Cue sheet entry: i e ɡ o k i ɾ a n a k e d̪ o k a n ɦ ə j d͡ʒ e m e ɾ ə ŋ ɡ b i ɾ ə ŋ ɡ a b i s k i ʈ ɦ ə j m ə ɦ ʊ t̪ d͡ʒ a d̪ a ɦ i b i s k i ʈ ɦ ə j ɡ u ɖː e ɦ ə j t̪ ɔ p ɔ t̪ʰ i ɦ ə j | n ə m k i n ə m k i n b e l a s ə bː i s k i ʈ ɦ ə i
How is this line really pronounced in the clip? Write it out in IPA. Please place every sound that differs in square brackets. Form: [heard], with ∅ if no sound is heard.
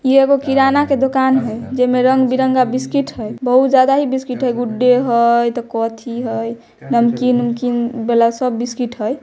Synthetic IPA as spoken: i e ɡ o k i ɾ a n a k e d̪ o k a n ɦ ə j d͡ʒ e m e ɾ ə ŋ ɡ b i ɾ ə ŋ ɡ a b i s k i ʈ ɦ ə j [b] ə ɦ [u] t̪ d͡ʒ a d̪ a ɦ i b i s k i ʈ ɦ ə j ɡ u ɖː e ɦ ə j t̪ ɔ [k] ɔ t̪ʰ i ɦ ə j | n ə m k i n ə m k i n b e l a s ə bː i s k i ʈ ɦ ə [j]